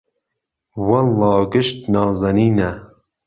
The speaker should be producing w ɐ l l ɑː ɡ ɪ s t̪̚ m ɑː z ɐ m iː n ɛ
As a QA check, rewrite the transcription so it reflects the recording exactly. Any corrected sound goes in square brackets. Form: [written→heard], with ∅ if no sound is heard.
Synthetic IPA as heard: w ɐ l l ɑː ɡ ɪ [s→ʃ] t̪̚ [m→n] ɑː z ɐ [m→n] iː n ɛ